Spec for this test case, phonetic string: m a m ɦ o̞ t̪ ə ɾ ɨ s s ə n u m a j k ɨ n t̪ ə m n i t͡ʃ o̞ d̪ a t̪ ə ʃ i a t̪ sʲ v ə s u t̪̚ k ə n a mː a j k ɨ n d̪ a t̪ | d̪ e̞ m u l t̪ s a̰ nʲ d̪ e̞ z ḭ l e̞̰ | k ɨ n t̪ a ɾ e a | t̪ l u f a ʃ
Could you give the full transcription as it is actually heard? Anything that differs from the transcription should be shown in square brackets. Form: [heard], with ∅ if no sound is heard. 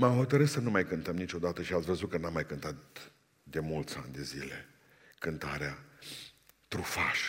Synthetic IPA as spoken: m a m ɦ o̞ t̪ ə ɾ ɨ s s ə n u m a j k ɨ n t̪ ə m n i t͡ʃ o̞ d̪ a t̪ ə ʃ i a t̪ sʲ v ə [z] u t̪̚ k ə n a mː a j k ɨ n [t̪] a t̪ | d̪ e̞ m u l t̪ s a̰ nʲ d̪ e̞ z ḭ l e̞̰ | k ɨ n t̪ a ɾ e a | t̪ [ɾ] u f a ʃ